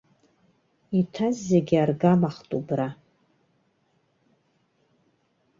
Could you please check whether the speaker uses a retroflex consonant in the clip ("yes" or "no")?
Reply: no